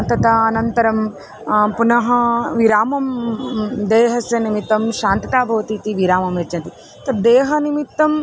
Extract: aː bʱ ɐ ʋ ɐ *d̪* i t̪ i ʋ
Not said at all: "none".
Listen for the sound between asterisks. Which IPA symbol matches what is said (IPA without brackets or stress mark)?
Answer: t̪